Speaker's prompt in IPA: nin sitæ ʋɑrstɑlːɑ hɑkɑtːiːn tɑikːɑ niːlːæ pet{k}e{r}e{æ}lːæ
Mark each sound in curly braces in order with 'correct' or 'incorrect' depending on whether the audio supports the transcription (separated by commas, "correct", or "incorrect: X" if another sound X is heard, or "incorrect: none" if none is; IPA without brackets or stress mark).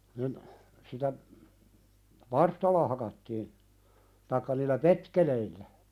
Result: correct, incorrect: l, incorrect: i